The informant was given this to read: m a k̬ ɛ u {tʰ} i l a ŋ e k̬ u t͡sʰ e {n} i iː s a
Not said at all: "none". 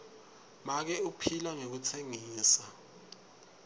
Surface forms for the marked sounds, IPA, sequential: pʰ, ŋ

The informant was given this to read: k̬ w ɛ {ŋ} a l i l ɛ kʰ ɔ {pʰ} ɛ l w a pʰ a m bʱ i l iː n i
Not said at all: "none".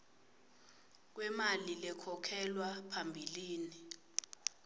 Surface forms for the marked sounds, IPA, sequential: m, kʰ

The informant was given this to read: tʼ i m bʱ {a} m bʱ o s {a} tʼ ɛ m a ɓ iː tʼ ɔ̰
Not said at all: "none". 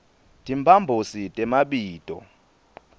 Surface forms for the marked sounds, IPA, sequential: a, i

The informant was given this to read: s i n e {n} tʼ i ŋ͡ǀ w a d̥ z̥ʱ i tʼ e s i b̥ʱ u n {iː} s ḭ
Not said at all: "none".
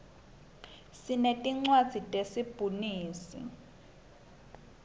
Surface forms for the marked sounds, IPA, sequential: none, iː

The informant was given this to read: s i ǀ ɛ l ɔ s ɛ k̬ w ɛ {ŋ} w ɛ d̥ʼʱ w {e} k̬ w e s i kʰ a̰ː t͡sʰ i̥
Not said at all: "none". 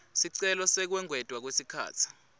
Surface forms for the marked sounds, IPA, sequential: ŋ, a

